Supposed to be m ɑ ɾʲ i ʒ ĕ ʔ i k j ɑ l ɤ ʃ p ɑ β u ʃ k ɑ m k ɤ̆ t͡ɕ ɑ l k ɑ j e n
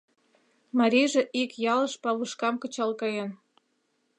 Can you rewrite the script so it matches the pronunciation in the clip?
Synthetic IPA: m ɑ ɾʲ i ʒ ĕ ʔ i k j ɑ l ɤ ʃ p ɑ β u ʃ k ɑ m k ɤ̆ t͡ɕ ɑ l k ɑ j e n